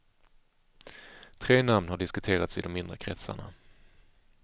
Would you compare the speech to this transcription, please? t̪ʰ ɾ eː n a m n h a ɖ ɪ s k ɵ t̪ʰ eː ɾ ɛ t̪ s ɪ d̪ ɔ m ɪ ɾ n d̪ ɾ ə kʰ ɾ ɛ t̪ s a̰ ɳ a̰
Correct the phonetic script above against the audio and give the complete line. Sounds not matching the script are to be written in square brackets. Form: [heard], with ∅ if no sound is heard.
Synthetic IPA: t̪ʰ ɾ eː n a m n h a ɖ ɪ s k ɵ t̪ʰ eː ɾ [a] t̪ s ɪ d̪ ɔ m ɪ [∅] n d̪ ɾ ə kʰ ɾ ɛ t̪ s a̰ ɳ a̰